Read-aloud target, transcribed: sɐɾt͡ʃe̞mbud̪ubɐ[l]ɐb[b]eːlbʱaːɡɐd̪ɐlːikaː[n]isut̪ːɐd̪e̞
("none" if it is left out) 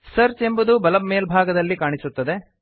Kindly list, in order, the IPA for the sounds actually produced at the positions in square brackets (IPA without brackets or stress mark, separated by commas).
l, m, ɳ